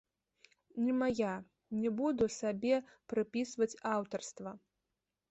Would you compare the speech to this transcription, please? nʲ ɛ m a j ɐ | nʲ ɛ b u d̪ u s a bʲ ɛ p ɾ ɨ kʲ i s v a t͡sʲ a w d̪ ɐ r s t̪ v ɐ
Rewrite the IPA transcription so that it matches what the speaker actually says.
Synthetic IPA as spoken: nʲ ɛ m a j a | nʲ ɛ b u d̪ u s a bʲ ɛ p ɾ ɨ pʲ i s v ɐ t͡sʲ a w t̪ ɐ r s t̪ v ɐ

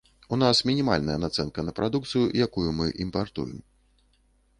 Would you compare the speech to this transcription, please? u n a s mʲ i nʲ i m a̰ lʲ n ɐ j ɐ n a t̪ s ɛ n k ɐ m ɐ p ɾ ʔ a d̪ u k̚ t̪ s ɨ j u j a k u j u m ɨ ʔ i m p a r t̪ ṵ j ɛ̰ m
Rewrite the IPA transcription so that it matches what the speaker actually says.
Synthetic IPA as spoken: u n a s mʲ i nʲ i m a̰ lʲ n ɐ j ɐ n a t̪ s ɛ n k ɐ n ɐ p ɾ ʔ a d̪ u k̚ t̪ s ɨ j u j a k u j u m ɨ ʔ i m p a r t̪ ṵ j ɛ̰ m

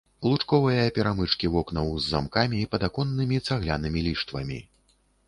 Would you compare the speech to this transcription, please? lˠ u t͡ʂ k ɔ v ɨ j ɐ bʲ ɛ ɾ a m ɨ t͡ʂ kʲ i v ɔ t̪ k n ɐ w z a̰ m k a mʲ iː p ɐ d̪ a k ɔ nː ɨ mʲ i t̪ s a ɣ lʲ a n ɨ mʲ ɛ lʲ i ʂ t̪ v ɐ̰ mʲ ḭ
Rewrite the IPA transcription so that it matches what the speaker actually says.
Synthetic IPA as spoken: lˠ u t͡ʂ k ɔ v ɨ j ɐ pʲ ɛ ɾ a m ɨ t͡ʂ kʲ i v ɔ k n ɐ w zː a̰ m k a mʲ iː p ɐ d̪ a k ɔ nː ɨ mʲ i t̪ s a ɣ lʲ a n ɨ mʲ i lʲ i ʂ t̪ v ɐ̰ mʲ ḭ

